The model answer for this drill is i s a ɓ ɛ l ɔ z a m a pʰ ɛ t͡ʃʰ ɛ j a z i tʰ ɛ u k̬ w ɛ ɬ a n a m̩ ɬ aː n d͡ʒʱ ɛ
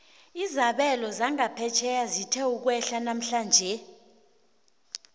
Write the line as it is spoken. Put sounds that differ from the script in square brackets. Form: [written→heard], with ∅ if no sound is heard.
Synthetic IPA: i [s→z] a ɓ ɛ l ɔ z a [m→ŋ] a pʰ ɛ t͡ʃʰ ɛ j a z i tʰ ɛ u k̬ w ɛ ɬ a n a m̩ ɬ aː n d͡ʒʱ ɛ